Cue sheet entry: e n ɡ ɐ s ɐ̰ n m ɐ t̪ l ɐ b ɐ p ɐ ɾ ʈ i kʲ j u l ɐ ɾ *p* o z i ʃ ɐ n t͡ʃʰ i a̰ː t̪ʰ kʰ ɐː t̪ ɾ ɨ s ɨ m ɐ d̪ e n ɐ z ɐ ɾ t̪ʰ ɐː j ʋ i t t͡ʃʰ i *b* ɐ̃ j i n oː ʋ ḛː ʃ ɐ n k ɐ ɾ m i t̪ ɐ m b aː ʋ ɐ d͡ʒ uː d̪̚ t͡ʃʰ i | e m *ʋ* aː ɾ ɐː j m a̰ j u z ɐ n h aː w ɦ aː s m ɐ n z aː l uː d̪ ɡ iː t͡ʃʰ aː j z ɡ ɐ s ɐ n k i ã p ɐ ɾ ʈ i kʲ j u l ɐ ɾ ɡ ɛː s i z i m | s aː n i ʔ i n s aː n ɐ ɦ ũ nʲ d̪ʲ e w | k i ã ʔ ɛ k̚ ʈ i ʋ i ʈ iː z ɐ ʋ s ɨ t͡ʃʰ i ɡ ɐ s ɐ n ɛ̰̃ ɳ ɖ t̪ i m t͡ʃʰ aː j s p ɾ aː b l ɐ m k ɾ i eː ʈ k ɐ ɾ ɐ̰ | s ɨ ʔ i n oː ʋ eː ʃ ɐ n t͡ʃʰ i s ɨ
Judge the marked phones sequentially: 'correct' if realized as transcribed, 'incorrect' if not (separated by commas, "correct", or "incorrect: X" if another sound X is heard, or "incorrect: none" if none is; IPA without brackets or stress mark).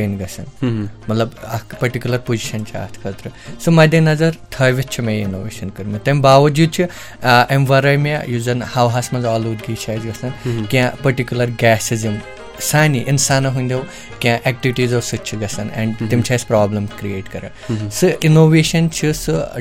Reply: correct, incorrect: m, correct